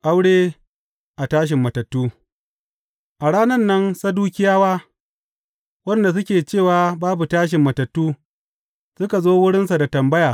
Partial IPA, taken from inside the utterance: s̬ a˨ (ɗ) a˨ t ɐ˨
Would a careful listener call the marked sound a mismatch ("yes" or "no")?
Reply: yes